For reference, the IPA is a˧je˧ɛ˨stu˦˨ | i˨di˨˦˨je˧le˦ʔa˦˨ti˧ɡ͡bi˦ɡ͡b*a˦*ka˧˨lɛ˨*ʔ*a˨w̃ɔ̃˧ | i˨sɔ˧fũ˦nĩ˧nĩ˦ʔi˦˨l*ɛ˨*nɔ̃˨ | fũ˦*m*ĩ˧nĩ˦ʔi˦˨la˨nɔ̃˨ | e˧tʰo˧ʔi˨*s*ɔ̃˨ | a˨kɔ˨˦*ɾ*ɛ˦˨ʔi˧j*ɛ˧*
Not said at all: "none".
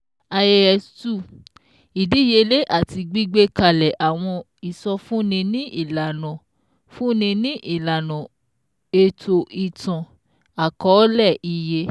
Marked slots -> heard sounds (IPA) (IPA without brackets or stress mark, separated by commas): e˦, ʔ, a˨, n, t, l, e˧